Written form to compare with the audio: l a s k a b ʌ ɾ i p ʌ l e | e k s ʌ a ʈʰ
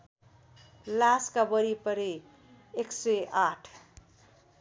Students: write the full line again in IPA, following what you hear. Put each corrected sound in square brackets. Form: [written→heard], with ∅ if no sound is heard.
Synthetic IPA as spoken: l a s k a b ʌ ɾ i p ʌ [l→ɾ] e | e k s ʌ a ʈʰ